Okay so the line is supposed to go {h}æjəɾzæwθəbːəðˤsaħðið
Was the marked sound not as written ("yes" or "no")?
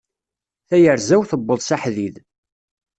yes